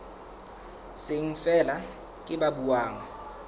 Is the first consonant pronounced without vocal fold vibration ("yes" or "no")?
yes